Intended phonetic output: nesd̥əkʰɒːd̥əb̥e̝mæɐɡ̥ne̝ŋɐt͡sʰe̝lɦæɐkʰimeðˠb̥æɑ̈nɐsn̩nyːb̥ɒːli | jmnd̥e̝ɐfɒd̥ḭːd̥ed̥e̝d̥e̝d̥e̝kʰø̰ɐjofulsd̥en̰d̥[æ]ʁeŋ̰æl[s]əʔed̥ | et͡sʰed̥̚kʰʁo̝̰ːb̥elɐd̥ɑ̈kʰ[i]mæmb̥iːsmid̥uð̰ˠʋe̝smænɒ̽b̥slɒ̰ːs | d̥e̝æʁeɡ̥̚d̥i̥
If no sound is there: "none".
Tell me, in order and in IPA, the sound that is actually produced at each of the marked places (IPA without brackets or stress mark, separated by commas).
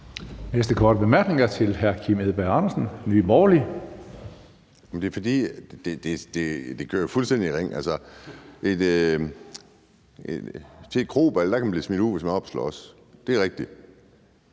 i, s, æ